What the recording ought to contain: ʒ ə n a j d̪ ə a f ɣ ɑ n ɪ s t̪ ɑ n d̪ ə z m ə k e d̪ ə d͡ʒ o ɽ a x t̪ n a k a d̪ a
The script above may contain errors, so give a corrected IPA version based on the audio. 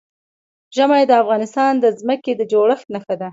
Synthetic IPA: ʒ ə m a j d̪ ə a f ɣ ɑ n ɪ s t̪ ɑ n d̪ ə z m ə k e d̪ ə d͡ʒ o ɽ ə x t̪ n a x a d̪ a